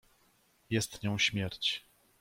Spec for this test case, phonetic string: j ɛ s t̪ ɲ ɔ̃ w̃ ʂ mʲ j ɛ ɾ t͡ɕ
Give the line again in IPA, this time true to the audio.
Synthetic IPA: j ɛ s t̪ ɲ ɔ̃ w̃ ɕ mʲ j ɛ ɾ t͡ɕ